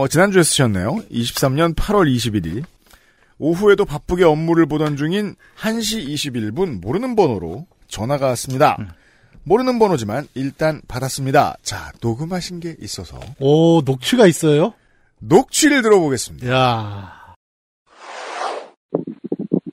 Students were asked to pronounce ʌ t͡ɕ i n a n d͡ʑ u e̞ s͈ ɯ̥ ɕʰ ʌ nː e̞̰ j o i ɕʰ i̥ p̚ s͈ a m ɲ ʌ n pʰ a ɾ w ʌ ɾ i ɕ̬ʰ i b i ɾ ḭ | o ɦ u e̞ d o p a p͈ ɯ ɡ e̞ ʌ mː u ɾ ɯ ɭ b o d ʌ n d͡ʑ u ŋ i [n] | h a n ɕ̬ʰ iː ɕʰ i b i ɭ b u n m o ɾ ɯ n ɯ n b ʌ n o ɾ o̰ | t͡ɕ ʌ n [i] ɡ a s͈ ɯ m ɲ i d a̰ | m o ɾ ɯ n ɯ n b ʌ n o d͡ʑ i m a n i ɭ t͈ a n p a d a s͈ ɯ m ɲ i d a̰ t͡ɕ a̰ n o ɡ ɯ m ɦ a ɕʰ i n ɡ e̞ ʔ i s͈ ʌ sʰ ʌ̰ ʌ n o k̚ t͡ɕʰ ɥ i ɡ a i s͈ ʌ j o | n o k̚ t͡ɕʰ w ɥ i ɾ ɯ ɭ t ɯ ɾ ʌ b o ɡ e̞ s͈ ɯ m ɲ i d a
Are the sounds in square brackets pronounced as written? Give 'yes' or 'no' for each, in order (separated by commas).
yes, no